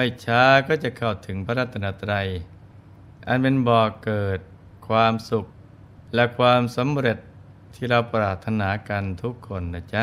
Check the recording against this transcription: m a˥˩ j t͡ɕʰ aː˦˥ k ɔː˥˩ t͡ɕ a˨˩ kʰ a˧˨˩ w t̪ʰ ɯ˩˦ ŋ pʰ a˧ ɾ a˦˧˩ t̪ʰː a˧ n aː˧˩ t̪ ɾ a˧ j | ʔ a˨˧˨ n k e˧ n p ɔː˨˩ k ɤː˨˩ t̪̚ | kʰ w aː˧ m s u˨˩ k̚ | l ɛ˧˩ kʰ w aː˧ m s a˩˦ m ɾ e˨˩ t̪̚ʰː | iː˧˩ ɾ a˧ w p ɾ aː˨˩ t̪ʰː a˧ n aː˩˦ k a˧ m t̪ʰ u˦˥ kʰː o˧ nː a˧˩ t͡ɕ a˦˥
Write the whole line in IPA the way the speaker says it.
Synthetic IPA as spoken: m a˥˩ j t͡ɕʰ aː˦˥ k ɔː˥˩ t͡ɕ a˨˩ kʰ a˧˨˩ w t̪ʰ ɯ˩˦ ŋ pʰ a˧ ɾ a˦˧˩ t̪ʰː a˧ n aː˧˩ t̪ ɾ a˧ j | ʔ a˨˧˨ n p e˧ n b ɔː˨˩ k ɤː˨˩ t̪̚ | kʰ w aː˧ m s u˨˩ k̚ | l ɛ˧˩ kʰ w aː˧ m s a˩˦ m ɾ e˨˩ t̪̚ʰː | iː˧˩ ɾ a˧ w p ɾ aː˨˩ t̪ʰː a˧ n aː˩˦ k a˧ n t̪ʰ u˦˥ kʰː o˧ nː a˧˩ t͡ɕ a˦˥